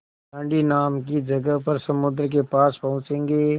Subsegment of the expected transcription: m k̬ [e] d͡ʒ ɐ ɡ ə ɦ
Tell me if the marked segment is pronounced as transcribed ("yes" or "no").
no